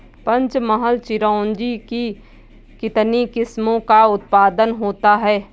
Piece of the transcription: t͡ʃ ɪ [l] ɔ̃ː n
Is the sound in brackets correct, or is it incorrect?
incorrect